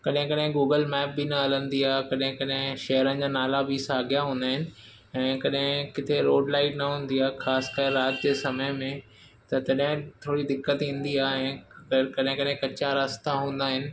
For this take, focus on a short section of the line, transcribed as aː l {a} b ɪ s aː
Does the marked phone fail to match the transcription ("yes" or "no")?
no